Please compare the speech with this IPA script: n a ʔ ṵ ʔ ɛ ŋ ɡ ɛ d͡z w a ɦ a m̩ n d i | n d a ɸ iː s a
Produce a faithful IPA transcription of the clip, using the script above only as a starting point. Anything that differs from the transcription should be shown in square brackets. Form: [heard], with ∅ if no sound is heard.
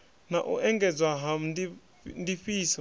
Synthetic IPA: n a ʔ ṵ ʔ ɛ ŋ ɡ ɛ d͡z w a ɦ a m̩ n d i | n d [i] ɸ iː s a